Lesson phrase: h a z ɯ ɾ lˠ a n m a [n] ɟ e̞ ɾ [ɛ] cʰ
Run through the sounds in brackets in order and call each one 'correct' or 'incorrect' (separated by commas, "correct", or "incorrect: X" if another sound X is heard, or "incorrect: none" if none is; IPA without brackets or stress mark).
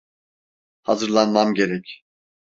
incorrect: m, correct